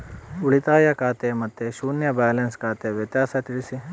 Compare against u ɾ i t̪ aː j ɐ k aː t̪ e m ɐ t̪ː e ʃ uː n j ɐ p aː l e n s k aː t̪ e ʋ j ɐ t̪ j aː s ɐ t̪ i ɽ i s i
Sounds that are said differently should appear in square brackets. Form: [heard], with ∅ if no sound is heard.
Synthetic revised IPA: u [ɭ] i t̪ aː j ɐ k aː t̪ e m ɐ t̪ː e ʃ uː n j ɐ [b] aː l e n s k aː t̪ e ʋ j ɐ t̪ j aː s ɐ t̪ i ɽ i s i